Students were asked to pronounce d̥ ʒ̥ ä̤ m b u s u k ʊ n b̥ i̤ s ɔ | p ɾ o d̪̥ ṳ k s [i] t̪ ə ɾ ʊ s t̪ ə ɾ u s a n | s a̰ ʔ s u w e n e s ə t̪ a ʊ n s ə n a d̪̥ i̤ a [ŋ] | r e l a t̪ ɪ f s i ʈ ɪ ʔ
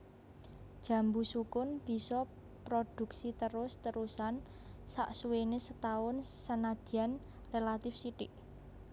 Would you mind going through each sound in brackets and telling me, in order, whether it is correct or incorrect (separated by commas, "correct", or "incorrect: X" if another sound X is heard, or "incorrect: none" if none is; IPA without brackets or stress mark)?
correct, incorrect: n